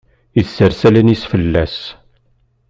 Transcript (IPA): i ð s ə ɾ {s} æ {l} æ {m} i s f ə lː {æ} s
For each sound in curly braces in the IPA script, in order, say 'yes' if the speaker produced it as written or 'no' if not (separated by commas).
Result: yes, yes, no, yes